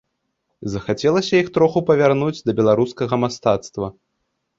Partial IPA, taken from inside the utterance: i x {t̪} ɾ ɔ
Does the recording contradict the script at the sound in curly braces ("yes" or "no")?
no